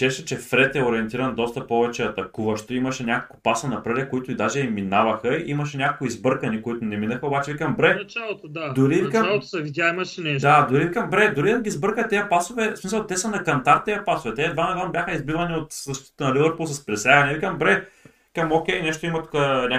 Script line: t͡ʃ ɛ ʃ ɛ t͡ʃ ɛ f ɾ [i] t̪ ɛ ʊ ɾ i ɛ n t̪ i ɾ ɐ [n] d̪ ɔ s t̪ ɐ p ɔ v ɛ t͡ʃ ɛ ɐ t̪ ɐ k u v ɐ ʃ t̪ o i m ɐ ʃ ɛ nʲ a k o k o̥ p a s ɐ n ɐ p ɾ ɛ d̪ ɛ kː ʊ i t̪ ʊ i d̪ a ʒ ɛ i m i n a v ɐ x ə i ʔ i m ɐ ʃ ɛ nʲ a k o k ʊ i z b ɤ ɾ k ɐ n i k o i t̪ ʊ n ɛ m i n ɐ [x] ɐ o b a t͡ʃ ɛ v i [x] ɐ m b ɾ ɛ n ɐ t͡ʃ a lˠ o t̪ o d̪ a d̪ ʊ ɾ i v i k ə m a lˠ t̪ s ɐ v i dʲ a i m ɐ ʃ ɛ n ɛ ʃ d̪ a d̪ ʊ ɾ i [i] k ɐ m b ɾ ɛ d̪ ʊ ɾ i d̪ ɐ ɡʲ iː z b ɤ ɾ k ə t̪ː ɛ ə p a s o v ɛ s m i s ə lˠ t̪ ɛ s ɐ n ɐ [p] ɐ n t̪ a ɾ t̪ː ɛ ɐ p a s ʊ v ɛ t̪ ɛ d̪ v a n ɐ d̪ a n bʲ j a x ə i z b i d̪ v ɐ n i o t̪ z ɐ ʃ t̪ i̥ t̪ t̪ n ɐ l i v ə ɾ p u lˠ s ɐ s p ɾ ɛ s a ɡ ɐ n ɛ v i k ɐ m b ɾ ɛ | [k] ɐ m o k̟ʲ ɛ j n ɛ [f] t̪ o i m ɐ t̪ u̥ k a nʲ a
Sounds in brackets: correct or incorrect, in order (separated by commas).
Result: incorrect, correct, correct, incorrect, correct, incorrect, correct, incorrect